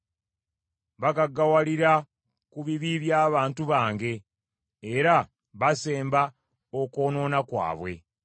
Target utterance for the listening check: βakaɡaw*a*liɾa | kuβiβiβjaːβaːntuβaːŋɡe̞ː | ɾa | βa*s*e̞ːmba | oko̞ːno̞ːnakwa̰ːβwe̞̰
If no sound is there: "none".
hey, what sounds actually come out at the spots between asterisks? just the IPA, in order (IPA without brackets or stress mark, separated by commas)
a, s